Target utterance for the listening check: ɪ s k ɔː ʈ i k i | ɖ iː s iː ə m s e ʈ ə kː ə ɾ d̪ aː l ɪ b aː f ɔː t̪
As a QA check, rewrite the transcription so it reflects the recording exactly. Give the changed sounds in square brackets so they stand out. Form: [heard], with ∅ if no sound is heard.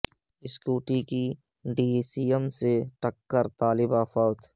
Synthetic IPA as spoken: ɪ s k [uː] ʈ i k i | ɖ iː s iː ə m s e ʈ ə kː ə ɾ [t̪] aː l ɪ b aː f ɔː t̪

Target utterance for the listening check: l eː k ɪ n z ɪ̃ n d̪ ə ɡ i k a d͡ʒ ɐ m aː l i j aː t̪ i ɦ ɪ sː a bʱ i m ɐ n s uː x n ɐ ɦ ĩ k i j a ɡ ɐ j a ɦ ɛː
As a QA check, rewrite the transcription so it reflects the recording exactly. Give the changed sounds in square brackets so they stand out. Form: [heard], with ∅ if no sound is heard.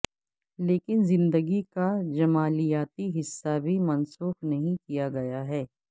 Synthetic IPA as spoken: l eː k ɪ n z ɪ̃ n d̪ ə ɡ i k a d͡ʒ ɐ m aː l i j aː t̪ i ɦ ɪ sː a bʱ i m ɐ n s uː x n ɐ ɦ ĩ k i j a ɡ ɐ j a ɦ ɛː

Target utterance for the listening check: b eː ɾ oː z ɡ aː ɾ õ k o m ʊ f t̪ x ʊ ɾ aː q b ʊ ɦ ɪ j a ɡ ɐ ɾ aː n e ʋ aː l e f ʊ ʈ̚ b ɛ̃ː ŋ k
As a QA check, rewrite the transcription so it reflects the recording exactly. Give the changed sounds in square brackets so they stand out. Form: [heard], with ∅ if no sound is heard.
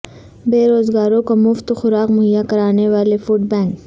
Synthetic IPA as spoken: b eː ɾ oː z ɡ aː ɾ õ k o m ʊ f t̪ x ʊ ɾ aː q [m] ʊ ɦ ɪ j a [k] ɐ ɾ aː n e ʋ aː l e f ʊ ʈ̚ b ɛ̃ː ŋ k

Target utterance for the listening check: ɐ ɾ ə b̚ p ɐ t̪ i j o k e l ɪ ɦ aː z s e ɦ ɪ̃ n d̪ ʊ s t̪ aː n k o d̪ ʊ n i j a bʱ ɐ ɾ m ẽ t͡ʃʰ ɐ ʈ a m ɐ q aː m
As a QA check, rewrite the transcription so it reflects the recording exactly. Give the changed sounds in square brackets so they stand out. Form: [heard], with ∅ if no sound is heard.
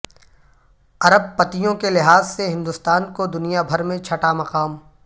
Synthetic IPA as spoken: ɐ ɾ ə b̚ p ɐ t̪ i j [õ] k e l ɪ ɦ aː z s e ɦ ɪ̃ n d̪ ʊ s t̪ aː n k o d̪ ʊ n i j a bʱ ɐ ɾ m ẽ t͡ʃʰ ɐ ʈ a m ɐ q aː m

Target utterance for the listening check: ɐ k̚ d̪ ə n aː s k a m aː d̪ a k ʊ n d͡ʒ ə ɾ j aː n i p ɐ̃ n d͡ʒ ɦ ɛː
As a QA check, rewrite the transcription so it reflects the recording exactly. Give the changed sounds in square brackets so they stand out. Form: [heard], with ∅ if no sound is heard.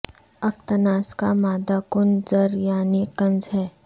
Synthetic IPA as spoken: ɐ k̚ [t̪] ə n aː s k a m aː d̪ a k ʊ n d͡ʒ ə ɾ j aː n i [k] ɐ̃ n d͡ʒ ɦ ɛː

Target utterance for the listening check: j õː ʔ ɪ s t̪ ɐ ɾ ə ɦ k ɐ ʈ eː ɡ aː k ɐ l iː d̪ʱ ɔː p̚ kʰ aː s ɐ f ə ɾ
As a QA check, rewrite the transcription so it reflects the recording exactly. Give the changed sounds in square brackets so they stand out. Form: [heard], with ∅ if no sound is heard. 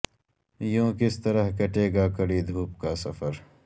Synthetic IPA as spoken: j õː [k] ɪ s t̪ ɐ ɾ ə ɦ k ɐ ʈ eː ɡ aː k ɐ [ɽ] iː d̪ʱ [uː] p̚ [k] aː s ɐ f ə ɾ

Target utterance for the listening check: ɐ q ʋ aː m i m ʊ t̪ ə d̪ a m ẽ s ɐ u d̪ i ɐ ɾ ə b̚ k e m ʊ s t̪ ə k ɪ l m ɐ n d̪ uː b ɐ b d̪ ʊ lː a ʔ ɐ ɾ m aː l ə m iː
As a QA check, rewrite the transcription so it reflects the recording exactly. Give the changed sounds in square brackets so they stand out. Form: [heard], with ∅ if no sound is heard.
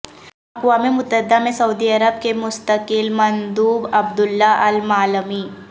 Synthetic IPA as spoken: ɐ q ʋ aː m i m ʊ t̪ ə d̪ a m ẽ s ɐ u d̪ i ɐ ɾ ə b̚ k e m ʊ s t̪ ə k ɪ l m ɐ n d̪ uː b ɐ b d̪ ʊ lː a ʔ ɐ [l] m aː l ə m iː

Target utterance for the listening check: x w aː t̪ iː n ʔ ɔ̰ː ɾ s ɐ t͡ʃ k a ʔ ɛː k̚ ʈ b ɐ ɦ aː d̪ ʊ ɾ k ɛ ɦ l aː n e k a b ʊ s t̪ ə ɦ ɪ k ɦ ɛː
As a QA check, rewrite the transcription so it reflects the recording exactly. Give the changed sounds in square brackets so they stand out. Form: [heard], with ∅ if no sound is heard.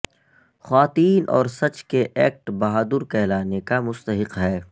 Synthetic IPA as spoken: x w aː t̪ iː n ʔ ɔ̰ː ɾ s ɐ t͡ʃ k [e] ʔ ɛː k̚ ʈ b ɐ ɦ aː d̪ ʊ ɾ k ɛ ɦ l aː n e k a [m] ʊ s t̪ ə ɦ ɪ [q] ɦ ɛː

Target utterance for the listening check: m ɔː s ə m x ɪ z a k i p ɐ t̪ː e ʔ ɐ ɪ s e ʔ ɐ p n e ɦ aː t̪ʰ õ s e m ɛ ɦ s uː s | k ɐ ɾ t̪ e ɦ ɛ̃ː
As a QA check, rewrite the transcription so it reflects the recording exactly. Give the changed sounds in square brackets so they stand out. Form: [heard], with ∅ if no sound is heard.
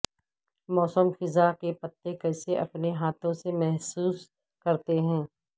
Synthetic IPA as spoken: m ɔː s ə m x ɪ z a k [e] p ɐ t̪ː e [k] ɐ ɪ s e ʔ ɐ p n e ɦ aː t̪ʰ õ s e m ɛ ɦ s uː s | k ɐ ɾ t̪ e ɦ ɛ̃ː

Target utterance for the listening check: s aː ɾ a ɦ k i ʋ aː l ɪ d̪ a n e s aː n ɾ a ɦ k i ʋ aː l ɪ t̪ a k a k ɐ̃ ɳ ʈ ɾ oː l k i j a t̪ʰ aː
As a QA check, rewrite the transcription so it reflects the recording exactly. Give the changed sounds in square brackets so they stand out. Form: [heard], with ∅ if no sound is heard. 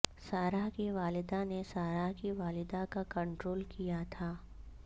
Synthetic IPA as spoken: s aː ɾ a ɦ k i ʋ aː l ɪ d̪ a n e s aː [∅] ɾ a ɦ k i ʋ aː l ɪ [d̪] a k a k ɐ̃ ɳ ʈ ɾ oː l k i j a t̪ʰ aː

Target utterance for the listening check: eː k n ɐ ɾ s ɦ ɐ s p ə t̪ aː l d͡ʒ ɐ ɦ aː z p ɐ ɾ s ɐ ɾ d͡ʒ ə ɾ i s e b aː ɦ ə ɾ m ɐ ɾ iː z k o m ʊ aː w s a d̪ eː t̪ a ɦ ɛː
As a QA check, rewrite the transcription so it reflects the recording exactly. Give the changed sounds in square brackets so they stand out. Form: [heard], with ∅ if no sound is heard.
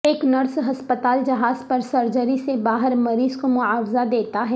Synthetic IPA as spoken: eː k n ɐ ɾ s ɦ ɐ s p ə t̪ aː l d͡ʒ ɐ ɦ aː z p ɐ ɾ s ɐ ɾ d͡ʒ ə ɾ i s e b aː ɦ ə ɾ m ɐ ɾ iː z k o m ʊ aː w [z] a d̪ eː t̪ a ɦ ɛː

